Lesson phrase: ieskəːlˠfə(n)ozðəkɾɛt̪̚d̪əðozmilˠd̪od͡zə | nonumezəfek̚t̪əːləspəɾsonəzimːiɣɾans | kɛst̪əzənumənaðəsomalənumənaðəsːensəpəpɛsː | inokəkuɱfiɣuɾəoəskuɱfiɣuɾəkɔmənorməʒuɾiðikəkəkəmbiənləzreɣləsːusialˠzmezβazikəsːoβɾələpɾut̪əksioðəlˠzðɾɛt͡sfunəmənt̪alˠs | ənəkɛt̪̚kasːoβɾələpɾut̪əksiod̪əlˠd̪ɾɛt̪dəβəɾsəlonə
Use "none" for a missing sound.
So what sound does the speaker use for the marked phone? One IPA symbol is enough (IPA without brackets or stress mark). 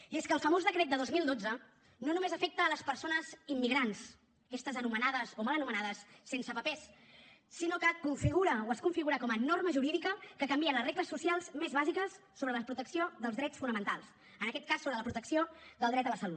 m